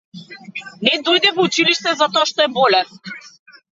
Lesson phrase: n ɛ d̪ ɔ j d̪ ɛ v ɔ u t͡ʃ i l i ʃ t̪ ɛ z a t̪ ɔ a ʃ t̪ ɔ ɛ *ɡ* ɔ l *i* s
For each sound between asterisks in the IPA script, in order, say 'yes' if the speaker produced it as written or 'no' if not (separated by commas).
no, no